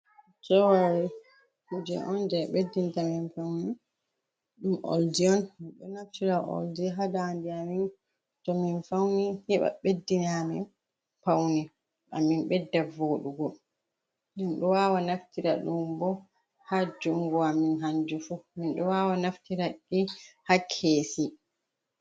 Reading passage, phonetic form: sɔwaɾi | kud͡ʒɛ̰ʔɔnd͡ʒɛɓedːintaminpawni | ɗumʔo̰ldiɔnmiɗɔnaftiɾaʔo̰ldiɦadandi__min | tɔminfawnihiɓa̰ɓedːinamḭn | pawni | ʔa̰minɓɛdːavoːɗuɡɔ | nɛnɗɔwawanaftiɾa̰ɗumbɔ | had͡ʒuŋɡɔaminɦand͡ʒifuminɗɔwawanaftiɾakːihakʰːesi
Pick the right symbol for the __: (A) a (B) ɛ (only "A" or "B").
A